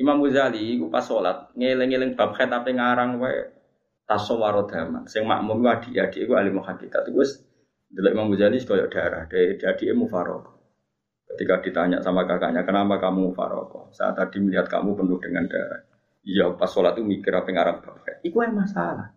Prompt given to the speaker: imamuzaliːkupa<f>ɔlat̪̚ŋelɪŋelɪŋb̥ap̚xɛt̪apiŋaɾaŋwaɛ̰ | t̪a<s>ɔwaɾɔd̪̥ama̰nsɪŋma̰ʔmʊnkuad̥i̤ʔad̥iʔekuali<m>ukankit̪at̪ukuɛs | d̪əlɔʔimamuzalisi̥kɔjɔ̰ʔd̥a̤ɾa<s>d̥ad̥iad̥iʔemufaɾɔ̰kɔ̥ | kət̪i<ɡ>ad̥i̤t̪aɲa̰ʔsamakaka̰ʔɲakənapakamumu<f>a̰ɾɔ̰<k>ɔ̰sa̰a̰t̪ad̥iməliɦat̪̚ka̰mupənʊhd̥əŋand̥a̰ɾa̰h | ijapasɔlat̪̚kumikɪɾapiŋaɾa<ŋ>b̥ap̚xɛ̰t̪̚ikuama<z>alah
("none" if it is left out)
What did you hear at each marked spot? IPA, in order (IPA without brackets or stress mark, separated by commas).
s, s, m, h, k, f, k, ŋ, s